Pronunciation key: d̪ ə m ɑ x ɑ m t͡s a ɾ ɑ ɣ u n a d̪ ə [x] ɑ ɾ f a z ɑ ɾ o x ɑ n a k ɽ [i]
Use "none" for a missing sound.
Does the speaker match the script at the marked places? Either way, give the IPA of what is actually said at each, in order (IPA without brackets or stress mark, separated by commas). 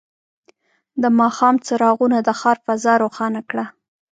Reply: x, a